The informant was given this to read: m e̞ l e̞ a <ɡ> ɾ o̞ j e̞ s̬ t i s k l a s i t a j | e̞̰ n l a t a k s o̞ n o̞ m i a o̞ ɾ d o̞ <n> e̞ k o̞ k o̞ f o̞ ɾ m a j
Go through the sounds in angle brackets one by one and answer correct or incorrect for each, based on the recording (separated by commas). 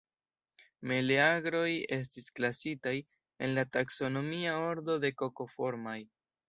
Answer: correct, incorrect